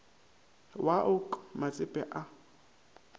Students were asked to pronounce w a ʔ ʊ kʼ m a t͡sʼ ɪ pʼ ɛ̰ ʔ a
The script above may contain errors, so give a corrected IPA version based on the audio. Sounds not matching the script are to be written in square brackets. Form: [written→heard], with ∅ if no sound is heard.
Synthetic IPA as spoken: w a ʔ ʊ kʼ m a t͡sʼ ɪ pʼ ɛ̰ ʔ a